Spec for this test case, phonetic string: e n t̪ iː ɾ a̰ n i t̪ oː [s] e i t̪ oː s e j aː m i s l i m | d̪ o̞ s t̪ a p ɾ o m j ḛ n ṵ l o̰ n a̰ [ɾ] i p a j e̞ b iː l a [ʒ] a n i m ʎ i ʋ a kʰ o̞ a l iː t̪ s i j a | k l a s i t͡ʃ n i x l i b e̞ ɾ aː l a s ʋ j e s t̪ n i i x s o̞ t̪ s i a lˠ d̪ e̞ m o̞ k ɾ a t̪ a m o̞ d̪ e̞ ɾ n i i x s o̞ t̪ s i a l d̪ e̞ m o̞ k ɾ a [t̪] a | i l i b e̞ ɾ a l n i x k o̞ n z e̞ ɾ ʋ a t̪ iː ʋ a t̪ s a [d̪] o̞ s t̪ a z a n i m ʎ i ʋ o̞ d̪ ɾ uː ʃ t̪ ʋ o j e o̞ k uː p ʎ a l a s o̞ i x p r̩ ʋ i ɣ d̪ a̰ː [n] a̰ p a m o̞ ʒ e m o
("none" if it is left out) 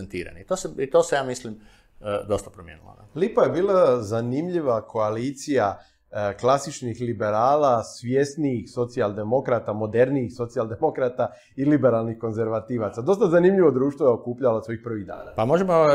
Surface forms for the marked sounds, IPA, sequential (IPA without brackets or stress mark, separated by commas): s, l, z, t̪, d̪, n